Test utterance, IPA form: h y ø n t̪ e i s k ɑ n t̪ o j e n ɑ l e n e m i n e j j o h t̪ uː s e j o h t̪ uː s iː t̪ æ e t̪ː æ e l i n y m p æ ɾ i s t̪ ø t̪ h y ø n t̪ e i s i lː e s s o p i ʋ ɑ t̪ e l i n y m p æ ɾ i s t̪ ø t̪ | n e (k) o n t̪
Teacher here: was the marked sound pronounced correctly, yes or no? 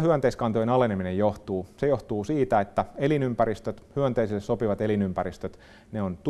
no